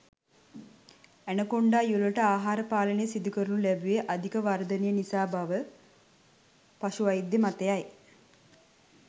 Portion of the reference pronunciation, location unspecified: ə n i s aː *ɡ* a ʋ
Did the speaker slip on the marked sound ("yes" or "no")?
yes